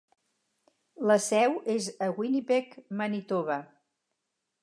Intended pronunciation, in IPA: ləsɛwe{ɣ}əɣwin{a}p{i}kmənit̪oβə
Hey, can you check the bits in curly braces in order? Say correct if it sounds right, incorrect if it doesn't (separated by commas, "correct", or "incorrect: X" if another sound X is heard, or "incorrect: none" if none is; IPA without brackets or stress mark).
incorrect: z, incorrect: i, incorrect: e